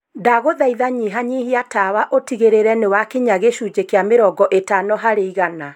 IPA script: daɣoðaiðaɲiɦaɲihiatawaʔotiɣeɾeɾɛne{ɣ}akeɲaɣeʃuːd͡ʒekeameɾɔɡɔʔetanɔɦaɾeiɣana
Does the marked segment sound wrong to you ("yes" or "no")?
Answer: yes